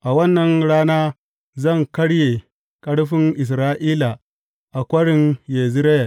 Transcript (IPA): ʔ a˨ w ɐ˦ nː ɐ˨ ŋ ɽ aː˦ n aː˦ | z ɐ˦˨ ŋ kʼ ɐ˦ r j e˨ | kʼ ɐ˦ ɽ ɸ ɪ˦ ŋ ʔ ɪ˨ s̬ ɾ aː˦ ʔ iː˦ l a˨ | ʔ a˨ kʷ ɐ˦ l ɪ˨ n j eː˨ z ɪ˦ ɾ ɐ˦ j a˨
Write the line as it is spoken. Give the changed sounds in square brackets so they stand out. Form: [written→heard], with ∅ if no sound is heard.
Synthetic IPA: ʔ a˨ w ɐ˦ nː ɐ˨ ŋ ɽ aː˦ n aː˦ | z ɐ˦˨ ŋ [kʼ→k] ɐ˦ [r→ɽ] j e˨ | kʼ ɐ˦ ɽ ɸ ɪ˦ ŋ ʔ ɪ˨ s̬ ɾ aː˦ ʔ iː˦ l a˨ | ʔ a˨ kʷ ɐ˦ [l→ɽ] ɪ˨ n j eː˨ z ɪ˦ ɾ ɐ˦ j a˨